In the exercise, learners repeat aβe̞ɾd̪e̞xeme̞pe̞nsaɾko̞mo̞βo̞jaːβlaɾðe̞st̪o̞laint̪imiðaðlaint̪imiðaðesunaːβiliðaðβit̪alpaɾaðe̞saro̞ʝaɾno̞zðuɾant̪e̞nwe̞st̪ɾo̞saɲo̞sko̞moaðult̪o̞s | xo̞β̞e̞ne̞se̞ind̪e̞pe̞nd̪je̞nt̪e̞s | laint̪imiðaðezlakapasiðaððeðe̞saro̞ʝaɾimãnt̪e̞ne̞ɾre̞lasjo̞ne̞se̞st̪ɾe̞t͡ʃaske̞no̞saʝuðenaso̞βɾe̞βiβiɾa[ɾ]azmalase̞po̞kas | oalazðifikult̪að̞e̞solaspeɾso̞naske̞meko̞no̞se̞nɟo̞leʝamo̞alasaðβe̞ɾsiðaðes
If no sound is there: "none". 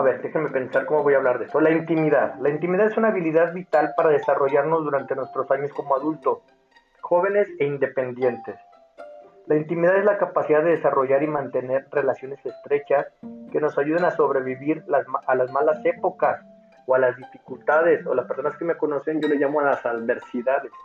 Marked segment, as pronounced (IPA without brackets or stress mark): l